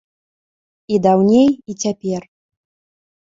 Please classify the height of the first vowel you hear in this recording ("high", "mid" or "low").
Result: high